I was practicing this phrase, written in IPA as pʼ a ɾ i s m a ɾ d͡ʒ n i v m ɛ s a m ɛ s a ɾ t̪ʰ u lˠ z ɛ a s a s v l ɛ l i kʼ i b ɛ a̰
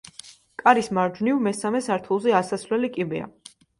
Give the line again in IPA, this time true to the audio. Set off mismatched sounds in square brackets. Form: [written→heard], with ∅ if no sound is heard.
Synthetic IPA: [pʼ→kʼ] a ɾ i s m a ɾ d͡ʒ n i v m ɛ s a m ɛ s a ɾ t̪ʰ u lˠ z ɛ a s a s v l ɛ l i kʼ i b ɛ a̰